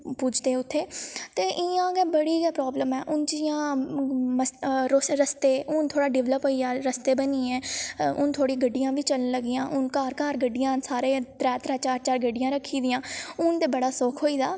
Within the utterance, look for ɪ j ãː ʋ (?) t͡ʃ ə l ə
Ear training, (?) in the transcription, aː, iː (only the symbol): iː